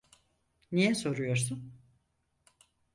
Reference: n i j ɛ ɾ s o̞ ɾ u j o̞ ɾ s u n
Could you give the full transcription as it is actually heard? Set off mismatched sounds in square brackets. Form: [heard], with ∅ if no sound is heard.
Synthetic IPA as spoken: n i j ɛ [∅] s o̞ ɾ u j o̞ ɾ s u n

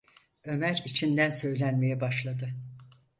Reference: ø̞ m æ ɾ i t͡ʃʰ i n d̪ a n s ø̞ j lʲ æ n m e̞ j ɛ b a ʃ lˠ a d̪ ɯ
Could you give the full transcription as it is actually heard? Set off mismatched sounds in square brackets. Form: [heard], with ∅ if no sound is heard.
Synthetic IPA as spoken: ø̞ m æ ɾ i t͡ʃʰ i n d̪ [æ] n s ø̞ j lʲ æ n m e̞ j ɛ b a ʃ lˠ a d̪ ɯ

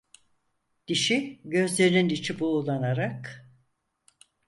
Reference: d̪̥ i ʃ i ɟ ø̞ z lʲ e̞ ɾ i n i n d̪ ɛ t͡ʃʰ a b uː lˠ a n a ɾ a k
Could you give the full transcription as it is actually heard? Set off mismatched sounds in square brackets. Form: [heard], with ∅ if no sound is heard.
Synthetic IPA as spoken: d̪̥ i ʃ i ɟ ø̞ z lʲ e̞ ɾ i n i n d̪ [i] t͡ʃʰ [i] b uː lˠ a n a ɾ a k

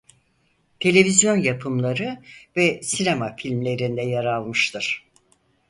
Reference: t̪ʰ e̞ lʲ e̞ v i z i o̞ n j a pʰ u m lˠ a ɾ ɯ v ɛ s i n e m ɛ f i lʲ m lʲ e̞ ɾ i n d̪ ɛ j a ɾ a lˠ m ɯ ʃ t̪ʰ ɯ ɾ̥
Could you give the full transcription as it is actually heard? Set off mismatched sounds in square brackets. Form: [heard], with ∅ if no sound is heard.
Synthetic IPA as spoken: t̪ʰ e̞ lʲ e̞ v i z [j] o̞ n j a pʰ [ɯ] m lˠ a ɾ ɯ v ɛ s i n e m [a] f i lʲ m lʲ e̞ ɾ i n d̪ ɛ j a ɾ a lˠ m ɯ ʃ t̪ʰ ɯ ɾ̥

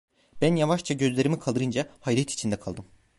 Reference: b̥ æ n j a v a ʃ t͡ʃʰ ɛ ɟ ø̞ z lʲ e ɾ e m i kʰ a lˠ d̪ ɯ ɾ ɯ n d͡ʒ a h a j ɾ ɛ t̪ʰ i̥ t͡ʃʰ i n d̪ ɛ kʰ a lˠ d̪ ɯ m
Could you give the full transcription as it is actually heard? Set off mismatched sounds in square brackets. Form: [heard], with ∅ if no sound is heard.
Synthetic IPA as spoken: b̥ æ n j a v a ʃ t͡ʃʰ [a] ɟ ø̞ z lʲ e ɾ [i] m i kʰ a lˠ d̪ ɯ ɾ ɯ n d͡ʒ a h a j ɾ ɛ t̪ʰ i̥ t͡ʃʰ i n d̪ ɛ kʰ a lˠ d̪ ɯ m

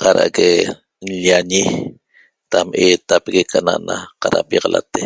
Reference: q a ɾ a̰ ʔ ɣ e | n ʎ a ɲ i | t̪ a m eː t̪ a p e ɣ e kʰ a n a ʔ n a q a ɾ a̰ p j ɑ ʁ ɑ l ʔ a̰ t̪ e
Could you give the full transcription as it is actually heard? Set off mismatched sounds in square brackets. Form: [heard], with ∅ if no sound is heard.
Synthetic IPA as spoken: q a ɾ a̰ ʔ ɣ e | n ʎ a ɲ i | t̪ a m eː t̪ a p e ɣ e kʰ a n a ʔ n a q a ɾ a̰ p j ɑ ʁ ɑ l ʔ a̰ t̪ e

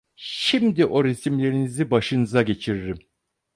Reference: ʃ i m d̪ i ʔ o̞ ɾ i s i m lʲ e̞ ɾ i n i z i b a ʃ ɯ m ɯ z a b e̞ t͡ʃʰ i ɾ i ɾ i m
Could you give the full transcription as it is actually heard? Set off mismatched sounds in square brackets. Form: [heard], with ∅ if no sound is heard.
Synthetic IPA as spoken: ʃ i m d̪ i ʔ o̞ ɾ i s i m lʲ e̞ ɾ i n i z i b a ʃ ɯ [n] ɯ z a [ɟ] e̞ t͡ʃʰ i ɾ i ɾ i m

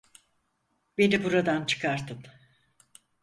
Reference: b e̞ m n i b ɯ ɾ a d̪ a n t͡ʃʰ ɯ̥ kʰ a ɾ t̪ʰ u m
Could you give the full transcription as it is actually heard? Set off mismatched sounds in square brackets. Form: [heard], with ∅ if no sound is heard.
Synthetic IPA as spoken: b e̞ [∅] n i b [u] ɾ a d̪ a n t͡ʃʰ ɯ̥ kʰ a ɾ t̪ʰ [ɯ] m

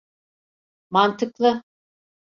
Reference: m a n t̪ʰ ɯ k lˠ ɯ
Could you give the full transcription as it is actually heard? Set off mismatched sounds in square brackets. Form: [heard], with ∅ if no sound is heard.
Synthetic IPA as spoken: m a n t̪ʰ ɯ k lˠ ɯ

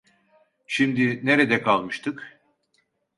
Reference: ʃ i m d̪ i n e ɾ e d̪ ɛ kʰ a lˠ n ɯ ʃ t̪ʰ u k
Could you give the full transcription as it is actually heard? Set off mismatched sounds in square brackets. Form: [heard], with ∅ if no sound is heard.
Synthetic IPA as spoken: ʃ i m d̪ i n e ɾ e d̪ ɛ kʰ a lˠ [m] ɯ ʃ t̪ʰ [ɯ] k

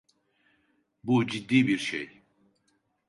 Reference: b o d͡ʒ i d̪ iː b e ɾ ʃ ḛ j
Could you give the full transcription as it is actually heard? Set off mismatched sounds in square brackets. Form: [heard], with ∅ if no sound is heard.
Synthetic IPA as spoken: b [u] d͡ʒ i [d̪ː] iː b [i] ɾ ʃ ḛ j

